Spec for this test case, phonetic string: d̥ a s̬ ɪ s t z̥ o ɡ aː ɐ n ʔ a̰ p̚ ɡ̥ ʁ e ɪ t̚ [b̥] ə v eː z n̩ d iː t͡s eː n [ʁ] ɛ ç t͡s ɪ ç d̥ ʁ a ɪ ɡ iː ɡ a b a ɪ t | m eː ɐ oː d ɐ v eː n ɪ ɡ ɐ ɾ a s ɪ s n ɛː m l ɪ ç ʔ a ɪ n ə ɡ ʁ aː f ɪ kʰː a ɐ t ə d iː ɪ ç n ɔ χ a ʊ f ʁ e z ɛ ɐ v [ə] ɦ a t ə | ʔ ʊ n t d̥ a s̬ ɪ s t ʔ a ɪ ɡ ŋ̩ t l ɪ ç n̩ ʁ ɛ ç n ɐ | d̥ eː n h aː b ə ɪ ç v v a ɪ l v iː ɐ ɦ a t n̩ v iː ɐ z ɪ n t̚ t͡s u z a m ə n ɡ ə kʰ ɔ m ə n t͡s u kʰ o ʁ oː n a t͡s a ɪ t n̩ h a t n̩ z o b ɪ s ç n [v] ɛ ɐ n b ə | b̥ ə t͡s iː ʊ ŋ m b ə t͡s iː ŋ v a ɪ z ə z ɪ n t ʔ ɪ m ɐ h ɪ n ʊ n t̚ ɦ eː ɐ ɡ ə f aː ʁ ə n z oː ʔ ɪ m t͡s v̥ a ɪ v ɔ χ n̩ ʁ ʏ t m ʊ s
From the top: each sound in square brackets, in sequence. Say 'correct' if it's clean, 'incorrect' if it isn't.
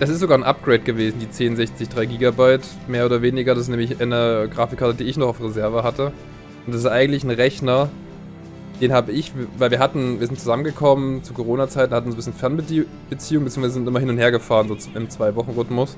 incorrect: ɡ̥, incorrect: z, correct, incorrect: f

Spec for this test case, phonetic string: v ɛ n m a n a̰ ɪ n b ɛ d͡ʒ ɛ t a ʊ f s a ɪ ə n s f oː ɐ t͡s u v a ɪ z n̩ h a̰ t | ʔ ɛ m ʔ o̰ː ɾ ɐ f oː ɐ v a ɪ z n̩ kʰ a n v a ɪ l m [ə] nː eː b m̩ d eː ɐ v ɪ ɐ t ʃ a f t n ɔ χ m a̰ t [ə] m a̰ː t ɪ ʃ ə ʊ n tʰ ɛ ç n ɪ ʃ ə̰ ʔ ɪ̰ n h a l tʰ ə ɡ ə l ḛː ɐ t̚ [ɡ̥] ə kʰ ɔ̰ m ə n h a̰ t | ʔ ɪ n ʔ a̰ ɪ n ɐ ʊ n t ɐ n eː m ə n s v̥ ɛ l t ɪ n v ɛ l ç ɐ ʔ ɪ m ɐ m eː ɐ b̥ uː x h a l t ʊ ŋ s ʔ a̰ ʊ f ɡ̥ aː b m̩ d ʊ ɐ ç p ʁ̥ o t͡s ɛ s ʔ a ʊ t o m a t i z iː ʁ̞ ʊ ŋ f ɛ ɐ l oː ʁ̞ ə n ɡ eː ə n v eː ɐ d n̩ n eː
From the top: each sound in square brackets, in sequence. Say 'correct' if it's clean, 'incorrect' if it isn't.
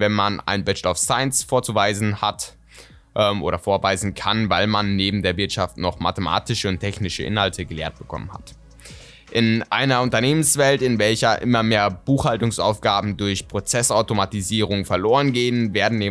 incorrect: a, correct, incorrect: b̥

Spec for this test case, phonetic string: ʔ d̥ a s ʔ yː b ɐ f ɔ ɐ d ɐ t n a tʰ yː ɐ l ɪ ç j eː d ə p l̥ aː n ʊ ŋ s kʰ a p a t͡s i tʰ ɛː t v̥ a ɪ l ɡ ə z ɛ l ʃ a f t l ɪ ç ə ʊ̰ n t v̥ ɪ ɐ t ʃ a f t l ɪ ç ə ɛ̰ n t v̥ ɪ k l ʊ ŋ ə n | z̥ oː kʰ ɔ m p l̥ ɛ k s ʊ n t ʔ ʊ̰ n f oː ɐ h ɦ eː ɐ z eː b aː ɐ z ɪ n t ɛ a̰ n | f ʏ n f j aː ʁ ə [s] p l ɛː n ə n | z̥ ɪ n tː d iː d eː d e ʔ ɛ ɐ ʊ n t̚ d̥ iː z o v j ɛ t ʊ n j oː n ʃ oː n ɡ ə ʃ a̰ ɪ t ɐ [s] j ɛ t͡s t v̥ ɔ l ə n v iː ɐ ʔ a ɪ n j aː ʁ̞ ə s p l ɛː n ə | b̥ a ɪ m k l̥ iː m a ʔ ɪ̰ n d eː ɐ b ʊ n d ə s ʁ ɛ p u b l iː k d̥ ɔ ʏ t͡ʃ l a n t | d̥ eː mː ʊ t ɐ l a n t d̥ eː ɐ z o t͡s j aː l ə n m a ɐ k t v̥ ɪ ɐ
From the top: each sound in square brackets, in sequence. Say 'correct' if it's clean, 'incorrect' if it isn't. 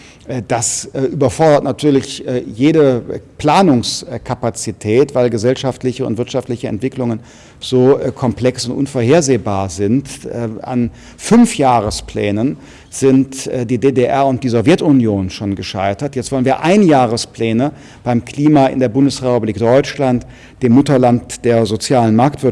correct, incorrect: t

